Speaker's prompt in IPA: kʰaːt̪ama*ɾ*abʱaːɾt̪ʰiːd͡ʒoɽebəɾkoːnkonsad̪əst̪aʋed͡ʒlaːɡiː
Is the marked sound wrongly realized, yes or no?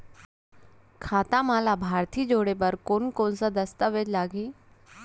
yes